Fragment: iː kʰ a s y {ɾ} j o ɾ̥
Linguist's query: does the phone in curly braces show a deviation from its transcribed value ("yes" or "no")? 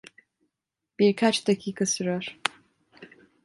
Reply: no